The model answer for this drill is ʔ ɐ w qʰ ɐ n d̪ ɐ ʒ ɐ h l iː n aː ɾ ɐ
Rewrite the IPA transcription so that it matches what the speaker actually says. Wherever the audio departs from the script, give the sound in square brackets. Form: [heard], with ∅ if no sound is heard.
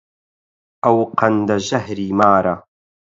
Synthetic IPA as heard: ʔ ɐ w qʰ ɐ n d̪ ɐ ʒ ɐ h [ɾ] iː [m] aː ɾ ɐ